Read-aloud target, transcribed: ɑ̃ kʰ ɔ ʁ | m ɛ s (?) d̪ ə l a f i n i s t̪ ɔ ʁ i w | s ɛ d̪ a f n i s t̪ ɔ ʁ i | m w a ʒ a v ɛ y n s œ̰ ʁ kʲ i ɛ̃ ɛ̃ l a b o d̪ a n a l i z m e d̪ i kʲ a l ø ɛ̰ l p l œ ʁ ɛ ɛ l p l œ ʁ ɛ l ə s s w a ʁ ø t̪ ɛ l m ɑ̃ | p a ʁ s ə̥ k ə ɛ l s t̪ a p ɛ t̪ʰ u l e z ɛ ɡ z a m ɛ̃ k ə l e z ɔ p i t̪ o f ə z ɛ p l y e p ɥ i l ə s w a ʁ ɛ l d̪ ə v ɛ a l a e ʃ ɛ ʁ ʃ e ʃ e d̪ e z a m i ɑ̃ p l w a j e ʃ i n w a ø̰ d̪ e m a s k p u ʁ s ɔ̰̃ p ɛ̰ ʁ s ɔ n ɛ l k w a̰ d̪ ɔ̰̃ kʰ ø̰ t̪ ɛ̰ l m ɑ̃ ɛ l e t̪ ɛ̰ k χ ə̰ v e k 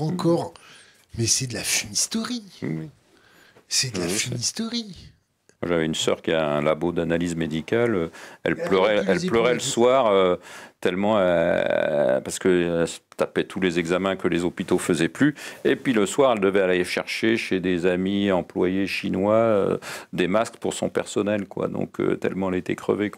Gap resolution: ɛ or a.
ɛ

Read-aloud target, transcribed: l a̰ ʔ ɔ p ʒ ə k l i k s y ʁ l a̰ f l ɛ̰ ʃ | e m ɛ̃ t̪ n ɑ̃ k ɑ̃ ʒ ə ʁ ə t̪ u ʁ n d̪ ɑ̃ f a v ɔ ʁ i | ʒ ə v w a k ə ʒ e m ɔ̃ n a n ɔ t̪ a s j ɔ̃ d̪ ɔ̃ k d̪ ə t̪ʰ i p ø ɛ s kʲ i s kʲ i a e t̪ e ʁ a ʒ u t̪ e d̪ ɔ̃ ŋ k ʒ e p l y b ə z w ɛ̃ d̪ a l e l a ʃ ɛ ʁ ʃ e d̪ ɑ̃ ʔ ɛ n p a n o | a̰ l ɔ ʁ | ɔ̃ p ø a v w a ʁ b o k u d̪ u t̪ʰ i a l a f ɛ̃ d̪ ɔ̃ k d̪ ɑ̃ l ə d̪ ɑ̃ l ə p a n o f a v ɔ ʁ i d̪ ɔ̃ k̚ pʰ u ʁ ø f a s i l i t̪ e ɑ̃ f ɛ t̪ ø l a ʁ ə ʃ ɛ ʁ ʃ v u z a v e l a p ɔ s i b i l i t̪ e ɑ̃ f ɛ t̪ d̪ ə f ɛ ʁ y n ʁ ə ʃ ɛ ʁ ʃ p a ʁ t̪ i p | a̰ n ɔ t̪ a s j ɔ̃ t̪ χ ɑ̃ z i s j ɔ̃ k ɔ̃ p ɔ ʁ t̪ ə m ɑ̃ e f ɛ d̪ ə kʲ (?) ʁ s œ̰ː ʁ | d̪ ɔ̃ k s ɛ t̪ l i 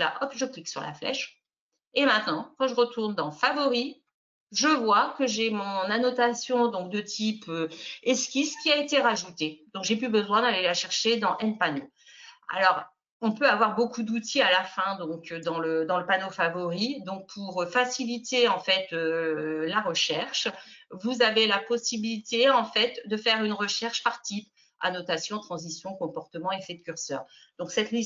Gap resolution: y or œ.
y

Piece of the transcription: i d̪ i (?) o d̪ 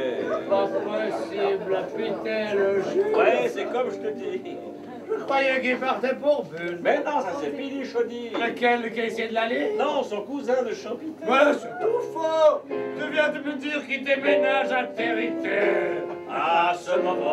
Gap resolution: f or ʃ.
ʃ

